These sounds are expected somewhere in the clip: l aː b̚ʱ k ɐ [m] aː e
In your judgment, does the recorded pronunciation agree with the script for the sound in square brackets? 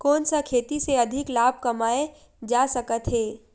yes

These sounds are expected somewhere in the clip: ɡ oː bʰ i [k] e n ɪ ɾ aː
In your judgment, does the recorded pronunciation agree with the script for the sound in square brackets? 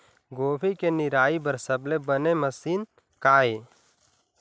yes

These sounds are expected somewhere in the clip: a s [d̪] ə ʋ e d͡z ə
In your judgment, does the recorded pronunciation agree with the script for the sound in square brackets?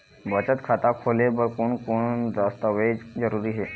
no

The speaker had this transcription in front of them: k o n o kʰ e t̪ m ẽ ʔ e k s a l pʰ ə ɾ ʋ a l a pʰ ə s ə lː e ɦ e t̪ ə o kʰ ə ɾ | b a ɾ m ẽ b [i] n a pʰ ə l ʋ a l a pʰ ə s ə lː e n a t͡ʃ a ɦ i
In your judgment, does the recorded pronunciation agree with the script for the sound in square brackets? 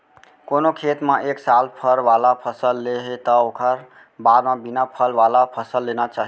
yes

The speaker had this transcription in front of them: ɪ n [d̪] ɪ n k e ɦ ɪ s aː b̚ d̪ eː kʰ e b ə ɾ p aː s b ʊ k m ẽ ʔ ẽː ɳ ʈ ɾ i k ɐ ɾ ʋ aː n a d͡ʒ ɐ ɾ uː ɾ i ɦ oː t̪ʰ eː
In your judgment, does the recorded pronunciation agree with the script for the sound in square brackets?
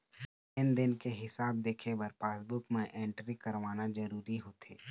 yes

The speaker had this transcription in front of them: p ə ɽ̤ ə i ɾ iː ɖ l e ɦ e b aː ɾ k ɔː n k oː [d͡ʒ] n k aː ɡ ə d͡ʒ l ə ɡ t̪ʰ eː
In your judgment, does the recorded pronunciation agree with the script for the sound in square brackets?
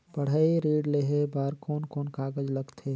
no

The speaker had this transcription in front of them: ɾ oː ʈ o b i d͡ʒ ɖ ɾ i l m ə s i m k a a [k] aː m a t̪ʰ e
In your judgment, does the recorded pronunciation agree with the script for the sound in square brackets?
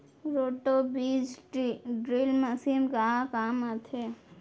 yes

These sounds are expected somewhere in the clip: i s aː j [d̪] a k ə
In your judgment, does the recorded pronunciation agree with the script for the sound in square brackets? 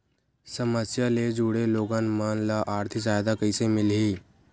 yes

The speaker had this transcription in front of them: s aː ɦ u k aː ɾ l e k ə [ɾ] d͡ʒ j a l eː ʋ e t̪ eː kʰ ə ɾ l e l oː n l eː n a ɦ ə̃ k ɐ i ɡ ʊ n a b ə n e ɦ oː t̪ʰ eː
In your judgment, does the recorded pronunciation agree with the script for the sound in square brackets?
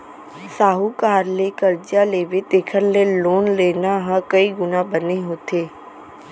yes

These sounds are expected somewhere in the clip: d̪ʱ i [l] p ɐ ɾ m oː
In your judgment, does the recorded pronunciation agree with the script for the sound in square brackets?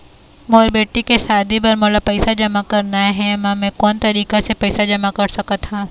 no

